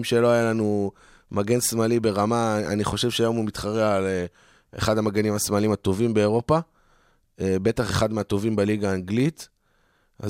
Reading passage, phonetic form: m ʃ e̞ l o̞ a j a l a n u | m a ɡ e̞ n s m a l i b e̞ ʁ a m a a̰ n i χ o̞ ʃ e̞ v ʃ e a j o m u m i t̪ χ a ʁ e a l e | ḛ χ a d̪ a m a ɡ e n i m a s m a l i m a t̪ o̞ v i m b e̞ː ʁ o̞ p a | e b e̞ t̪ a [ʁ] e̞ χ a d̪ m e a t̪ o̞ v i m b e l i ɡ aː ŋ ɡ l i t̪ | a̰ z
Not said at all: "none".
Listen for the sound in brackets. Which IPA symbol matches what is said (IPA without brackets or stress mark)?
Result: χ